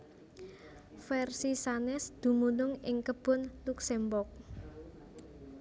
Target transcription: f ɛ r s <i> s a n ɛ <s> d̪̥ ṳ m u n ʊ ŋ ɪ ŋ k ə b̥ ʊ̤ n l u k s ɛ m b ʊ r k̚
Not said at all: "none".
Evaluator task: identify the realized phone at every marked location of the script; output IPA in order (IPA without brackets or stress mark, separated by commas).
i, s